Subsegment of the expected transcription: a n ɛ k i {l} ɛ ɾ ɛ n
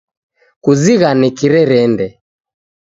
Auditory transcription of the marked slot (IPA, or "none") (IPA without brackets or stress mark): ɾ